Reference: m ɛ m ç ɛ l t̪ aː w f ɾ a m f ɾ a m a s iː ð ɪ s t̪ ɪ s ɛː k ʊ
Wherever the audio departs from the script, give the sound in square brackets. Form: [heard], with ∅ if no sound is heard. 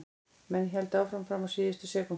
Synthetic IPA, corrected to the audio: m ɛ [n] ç ɛ l t̪ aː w f ɾ a m f ɾ a m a s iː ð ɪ s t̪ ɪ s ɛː k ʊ